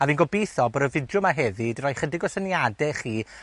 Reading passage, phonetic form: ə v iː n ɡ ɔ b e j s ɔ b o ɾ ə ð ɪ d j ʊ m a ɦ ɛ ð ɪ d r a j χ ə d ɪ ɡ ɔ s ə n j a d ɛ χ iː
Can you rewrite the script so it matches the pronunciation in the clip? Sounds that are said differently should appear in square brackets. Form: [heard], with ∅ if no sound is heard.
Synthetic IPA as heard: [a] v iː n ɡ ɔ b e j [θ] ɔ b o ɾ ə [v] ɪ d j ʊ m a ɦ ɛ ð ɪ d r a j χ ə d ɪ ɡ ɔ s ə n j a d ɛ χ iː